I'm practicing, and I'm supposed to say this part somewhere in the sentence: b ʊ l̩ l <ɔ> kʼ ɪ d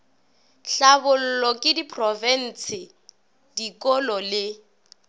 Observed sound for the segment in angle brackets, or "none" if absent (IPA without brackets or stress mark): ɔ